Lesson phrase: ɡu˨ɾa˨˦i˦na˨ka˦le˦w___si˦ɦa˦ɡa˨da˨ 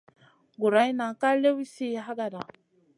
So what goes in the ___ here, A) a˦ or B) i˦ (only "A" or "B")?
B